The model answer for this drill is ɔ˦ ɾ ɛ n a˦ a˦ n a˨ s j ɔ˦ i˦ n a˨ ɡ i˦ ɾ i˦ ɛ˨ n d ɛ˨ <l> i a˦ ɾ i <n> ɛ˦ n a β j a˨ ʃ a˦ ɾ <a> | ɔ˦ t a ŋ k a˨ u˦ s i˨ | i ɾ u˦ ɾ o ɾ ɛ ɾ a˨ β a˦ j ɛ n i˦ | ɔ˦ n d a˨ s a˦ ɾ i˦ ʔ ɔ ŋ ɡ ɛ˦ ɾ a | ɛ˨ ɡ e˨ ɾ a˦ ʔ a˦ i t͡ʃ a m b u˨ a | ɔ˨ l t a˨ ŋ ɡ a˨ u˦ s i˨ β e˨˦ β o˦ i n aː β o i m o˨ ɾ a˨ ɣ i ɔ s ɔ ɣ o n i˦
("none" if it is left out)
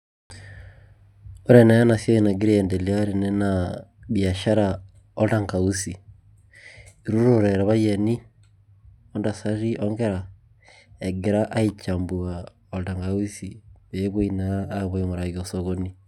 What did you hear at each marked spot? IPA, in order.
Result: l, n, a

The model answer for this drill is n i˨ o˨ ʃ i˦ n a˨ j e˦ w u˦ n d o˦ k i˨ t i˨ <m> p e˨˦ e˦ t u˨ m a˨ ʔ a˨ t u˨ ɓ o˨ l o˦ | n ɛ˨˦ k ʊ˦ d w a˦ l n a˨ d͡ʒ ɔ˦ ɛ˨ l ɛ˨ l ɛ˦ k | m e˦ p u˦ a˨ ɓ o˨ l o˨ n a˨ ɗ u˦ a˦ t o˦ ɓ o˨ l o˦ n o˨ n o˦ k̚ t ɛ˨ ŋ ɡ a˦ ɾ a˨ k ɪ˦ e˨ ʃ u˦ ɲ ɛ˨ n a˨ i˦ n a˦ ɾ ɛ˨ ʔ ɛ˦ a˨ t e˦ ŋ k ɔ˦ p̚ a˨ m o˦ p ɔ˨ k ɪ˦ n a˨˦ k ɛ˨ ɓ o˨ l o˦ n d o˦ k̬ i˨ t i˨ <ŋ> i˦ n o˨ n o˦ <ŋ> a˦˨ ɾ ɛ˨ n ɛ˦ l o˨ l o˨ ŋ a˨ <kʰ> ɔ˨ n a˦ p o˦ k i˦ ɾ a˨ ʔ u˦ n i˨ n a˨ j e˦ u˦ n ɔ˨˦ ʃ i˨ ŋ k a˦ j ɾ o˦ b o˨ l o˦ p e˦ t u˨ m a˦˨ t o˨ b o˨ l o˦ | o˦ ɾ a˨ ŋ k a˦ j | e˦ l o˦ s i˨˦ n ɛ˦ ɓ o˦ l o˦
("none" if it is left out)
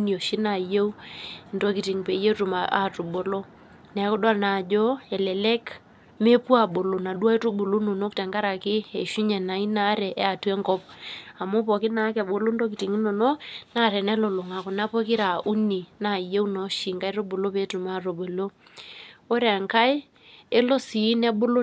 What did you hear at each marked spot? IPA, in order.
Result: ŋ, ŋ, n, k

